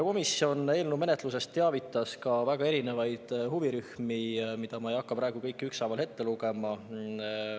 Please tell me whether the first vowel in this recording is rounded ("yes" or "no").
yes